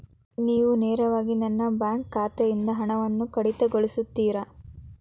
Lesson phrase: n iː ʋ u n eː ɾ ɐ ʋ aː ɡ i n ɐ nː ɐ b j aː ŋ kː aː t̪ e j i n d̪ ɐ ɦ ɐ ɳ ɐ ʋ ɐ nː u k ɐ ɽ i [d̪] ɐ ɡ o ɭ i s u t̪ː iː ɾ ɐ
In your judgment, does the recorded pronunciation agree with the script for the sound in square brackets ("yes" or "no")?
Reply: no